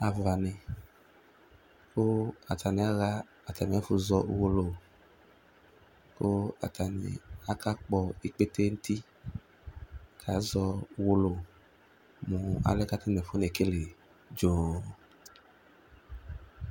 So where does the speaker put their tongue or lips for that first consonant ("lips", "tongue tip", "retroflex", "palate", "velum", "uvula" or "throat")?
lips